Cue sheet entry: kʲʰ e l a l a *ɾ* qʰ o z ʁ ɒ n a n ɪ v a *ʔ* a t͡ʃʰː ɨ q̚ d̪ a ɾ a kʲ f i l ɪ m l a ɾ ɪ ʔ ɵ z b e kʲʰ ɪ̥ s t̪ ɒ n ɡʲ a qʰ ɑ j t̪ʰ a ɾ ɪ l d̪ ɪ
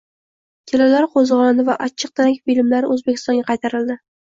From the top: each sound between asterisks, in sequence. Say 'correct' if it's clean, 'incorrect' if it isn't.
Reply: correct, correct

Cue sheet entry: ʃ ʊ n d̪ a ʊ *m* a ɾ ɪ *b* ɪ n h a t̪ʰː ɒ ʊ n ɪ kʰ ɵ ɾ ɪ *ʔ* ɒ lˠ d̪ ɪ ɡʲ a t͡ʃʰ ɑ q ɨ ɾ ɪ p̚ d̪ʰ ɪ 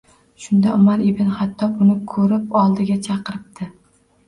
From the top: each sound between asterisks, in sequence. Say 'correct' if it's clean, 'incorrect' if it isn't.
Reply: correct, correct, incorrect: p

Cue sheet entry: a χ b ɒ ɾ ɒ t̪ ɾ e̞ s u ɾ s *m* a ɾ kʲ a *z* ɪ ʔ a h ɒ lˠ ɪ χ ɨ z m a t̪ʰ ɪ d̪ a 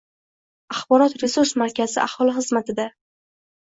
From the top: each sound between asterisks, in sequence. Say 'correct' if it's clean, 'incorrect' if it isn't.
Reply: correct, correct

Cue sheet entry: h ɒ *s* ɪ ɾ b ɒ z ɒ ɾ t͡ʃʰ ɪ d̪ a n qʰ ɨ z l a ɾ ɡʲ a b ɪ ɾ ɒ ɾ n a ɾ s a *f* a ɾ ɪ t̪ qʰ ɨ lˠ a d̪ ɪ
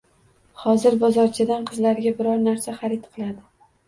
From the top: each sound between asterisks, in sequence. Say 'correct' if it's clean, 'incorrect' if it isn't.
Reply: incorrect: z, incorrect: χ

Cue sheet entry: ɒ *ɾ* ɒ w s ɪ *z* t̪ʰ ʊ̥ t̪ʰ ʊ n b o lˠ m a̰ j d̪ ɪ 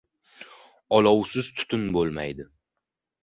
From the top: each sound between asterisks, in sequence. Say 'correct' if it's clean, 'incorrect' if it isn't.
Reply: incorrect: l, correct

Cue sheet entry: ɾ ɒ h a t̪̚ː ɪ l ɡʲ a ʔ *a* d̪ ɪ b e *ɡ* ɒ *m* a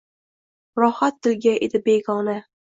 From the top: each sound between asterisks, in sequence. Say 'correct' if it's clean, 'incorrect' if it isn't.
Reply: incorrect: e, correct, incorrect: n

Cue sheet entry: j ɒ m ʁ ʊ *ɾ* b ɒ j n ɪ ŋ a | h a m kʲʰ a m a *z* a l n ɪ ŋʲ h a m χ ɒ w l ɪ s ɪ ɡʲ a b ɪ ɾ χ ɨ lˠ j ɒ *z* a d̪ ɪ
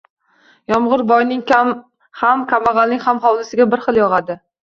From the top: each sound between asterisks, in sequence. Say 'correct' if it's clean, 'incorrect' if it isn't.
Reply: correct, incorrect: ʁ, incorrect: ʁ

